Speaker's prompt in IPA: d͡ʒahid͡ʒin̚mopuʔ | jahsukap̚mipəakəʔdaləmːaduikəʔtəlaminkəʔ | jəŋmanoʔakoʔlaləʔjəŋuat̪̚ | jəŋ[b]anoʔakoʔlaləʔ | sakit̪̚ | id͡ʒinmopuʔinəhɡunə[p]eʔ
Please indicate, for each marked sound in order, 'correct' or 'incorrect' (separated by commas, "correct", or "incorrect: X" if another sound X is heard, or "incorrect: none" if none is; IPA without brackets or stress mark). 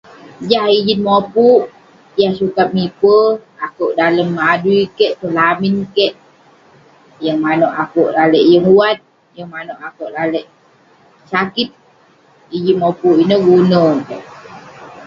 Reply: incorrect: m, incorrect: k